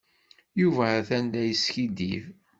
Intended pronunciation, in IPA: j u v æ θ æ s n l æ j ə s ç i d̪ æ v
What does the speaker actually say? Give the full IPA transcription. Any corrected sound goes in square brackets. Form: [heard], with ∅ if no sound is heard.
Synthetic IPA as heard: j u v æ θ æ [∅] n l æ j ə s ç i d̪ [i] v